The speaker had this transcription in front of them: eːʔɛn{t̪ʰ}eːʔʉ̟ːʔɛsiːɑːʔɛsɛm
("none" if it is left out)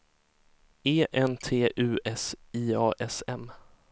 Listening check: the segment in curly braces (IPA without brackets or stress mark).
t̪ʰ